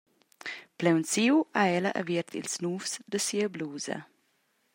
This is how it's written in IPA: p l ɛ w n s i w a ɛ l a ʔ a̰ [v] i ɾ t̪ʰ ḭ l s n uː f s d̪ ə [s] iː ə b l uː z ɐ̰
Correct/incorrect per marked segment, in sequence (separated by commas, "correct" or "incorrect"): correct, correct